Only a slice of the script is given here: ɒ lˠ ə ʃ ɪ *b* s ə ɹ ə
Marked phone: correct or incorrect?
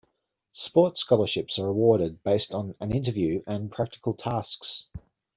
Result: incorrect